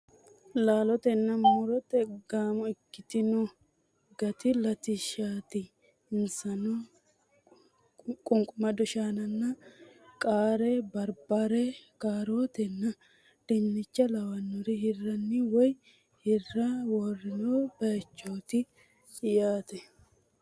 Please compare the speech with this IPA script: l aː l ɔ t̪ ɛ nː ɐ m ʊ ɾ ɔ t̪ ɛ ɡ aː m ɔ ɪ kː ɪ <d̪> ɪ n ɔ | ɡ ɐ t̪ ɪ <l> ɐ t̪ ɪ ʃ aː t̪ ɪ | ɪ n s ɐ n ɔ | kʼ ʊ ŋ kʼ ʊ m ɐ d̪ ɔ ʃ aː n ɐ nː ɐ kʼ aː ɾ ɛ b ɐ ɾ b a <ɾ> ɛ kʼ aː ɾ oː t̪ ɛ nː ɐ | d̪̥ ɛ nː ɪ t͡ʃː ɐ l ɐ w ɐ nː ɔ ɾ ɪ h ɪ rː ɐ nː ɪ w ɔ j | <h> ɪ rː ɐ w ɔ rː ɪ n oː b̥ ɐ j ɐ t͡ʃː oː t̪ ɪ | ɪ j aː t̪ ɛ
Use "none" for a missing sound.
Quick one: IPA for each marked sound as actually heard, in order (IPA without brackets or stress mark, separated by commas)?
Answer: t̪, l, ɾ, h